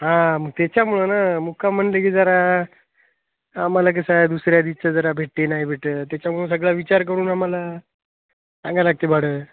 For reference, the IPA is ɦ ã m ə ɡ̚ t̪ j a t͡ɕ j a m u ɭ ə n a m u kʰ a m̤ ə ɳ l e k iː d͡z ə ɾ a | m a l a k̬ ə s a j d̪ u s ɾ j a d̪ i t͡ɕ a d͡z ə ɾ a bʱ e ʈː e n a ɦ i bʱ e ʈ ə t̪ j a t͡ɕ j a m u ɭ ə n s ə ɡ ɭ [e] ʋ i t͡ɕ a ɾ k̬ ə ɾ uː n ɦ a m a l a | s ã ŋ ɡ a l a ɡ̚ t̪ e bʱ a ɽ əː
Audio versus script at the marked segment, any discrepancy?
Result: yes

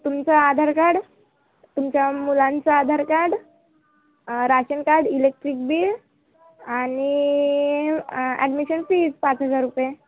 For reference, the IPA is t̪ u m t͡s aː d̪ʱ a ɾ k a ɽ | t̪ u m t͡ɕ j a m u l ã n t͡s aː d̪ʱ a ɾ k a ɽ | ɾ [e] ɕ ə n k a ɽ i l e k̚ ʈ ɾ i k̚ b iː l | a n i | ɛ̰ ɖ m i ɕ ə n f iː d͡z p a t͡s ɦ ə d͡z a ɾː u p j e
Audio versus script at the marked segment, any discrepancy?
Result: yes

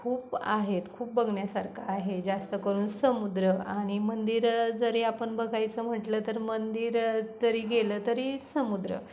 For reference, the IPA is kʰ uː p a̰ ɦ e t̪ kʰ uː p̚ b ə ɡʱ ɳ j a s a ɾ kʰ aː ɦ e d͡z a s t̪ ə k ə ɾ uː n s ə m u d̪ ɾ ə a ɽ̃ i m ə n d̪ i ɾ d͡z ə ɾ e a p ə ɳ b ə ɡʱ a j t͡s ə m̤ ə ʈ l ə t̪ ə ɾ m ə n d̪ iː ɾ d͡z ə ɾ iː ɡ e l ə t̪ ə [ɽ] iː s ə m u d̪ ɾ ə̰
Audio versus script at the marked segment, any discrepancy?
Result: yes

